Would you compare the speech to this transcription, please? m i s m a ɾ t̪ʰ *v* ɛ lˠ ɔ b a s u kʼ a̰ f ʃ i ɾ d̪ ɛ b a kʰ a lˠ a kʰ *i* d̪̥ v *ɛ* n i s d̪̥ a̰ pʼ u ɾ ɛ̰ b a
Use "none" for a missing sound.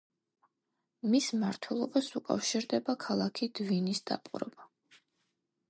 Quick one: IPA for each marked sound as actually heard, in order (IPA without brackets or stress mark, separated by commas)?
w, i, i